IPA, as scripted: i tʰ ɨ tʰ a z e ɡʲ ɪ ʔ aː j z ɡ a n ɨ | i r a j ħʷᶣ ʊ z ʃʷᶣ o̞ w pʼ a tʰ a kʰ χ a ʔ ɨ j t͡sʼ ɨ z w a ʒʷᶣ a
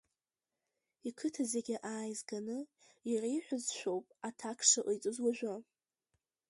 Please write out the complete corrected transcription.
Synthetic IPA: i kʰ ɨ tʰ a z e ɡʲ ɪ ʔ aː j z ɡ a n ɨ | i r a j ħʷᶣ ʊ z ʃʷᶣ o̞ w pʼ a tʰ a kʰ ʂ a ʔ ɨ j t͡sʼ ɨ z w a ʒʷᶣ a